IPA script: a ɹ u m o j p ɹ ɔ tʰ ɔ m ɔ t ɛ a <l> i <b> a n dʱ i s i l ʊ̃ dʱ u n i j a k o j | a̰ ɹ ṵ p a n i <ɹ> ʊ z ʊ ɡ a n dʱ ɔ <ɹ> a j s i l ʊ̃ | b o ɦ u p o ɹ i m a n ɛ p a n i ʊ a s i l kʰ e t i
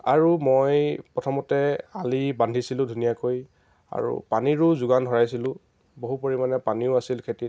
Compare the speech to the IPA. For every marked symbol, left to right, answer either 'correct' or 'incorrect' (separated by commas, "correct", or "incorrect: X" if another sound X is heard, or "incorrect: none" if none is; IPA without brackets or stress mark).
correct, correct, correct, correct